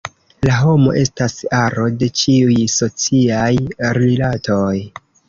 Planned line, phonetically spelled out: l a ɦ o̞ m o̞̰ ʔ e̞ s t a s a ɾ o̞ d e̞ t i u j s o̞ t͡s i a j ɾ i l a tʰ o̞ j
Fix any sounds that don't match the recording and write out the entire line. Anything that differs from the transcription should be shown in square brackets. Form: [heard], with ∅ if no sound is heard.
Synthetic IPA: l a ɦ o̞ m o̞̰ ʔ e̞ s t a s a ɾ o̞ d e̞ [t͡ʃ] i u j s o̞ t͡s i a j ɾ i l a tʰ o̞ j